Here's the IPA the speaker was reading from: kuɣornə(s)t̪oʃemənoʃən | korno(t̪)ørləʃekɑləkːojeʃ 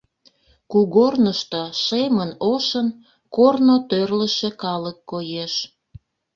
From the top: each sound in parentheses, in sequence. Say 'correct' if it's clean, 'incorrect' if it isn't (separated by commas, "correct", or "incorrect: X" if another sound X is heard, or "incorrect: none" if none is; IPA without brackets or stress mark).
incorrect: ʃ, correct